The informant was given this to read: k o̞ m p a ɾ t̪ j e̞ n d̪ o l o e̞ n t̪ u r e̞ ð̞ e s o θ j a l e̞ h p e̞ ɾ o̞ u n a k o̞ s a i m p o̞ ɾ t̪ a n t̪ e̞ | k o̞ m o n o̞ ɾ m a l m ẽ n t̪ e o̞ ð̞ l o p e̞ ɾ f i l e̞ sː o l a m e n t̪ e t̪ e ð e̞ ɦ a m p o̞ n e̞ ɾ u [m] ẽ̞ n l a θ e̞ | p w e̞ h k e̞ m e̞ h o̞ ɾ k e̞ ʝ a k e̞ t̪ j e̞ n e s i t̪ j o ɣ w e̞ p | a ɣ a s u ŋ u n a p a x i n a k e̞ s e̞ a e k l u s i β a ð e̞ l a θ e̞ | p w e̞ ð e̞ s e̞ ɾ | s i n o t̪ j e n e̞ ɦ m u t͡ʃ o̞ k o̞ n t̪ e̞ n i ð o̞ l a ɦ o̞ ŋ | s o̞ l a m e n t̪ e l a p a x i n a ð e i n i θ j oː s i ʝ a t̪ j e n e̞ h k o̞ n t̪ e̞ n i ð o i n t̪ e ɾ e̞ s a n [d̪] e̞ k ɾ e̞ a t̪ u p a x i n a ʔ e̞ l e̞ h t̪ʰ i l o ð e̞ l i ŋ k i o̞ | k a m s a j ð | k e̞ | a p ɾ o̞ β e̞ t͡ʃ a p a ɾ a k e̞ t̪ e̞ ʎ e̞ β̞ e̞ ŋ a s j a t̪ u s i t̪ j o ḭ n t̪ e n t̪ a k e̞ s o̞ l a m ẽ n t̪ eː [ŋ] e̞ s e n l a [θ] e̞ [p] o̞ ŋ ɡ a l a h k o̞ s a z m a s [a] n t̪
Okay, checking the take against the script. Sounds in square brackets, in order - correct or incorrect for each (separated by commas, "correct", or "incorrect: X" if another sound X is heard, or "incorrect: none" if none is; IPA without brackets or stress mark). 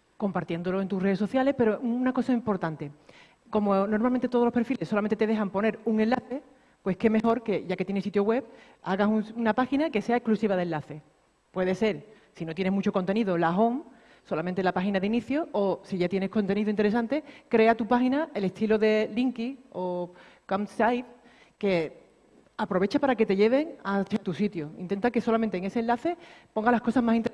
incorrect: ŋ, incorrect: t̪, correct, correct, correct, incorrect: i